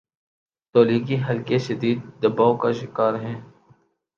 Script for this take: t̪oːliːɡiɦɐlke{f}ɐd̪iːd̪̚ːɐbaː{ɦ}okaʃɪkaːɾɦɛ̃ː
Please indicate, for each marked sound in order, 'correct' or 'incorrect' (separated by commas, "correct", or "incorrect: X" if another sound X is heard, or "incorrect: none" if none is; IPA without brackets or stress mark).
incorrect: ʃ, incorrect: none